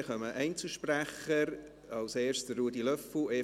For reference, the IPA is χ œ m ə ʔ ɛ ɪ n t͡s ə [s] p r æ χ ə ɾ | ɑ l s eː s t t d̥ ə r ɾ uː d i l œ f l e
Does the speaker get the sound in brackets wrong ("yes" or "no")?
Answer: yes